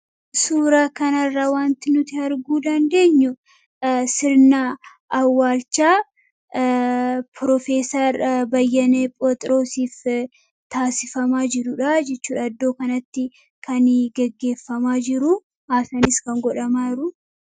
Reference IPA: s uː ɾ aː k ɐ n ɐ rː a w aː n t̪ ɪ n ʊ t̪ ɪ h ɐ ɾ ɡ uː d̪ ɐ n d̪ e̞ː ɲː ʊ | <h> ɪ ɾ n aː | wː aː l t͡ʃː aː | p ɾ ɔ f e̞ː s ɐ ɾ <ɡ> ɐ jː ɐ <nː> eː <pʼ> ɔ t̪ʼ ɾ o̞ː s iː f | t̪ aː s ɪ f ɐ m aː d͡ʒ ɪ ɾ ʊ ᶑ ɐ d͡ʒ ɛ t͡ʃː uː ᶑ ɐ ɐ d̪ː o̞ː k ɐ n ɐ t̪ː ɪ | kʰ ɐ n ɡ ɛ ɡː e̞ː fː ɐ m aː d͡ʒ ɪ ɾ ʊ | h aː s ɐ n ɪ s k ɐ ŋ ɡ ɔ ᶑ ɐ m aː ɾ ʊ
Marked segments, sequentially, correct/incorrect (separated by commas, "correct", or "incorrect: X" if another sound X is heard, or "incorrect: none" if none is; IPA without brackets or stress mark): incorrect: s, incorrect: b, incorrect: n, correct